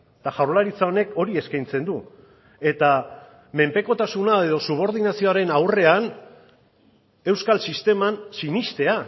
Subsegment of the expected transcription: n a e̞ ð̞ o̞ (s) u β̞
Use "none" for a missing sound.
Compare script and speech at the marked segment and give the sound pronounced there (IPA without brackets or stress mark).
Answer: s